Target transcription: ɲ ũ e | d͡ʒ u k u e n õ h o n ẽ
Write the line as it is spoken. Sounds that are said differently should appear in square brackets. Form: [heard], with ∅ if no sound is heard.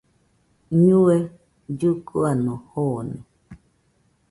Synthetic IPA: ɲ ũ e | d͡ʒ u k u [a] n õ h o n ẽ